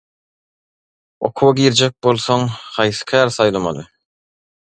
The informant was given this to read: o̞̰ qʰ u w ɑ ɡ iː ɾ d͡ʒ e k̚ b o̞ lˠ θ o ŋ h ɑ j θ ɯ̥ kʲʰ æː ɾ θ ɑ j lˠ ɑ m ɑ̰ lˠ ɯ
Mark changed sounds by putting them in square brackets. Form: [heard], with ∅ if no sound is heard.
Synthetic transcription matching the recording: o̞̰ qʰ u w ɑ ɡ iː ɾ d͡ʒ e k̚ b o̞ lˠ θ o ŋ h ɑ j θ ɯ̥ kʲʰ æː ɾ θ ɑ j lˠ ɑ m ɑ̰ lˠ ɯ